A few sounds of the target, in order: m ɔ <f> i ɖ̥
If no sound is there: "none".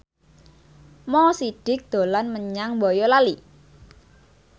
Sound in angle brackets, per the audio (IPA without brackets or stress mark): s